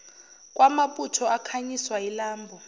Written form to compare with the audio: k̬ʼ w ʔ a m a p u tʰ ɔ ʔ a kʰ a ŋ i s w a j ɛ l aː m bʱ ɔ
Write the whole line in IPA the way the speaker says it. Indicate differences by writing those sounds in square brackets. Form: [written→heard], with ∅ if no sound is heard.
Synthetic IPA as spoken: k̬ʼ w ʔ a m a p u tʰ ɔ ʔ a kʰ a [ŋ→ɲ] i s w a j [ɛ→i] l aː m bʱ ɔ